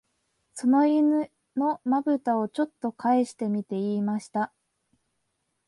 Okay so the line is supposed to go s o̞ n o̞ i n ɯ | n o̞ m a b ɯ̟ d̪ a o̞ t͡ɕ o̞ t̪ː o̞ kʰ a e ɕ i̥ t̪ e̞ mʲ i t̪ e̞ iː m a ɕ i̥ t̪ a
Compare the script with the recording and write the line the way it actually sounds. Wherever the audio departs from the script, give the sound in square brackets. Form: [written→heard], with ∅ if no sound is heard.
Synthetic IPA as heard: s o̞ n o̞ i n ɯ | n o̞ m a b ɯ̟ [d̪→t̪] a o̞ t͡ɕ o̞ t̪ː o̞ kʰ a e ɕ i̥ t̪ e̞ mʲ i t̪ e̞ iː m a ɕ i̥ t̪ a